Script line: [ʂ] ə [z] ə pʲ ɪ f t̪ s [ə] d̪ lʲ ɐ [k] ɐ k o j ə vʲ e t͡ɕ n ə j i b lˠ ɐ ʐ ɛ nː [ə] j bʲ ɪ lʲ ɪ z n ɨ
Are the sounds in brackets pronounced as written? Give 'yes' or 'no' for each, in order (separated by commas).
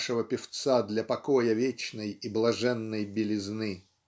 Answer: yes, no, no, no, yes